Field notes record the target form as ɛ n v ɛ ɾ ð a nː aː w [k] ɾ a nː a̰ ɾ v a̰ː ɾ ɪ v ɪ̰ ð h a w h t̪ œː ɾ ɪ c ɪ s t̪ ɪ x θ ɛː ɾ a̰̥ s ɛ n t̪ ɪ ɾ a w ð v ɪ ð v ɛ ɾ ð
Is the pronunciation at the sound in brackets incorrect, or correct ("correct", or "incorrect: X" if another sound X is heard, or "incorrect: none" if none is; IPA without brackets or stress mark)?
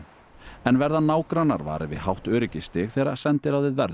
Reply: correct